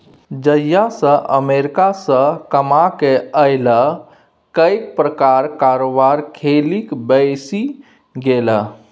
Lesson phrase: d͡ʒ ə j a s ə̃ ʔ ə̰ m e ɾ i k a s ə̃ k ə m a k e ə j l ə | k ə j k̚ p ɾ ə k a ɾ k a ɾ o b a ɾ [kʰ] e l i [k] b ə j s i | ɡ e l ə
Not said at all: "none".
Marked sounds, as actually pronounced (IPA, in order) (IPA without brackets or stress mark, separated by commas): kʰ, k